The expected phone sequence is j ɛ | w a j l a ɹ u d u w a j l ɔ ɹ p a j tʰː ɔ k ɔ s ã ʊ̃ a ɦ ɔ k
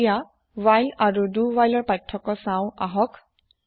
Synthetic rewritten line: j a | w a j l a ɹ u d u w a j l ɔ ɹ p a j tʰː ɔ k ɔ s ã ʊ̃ a ɦ ɔ k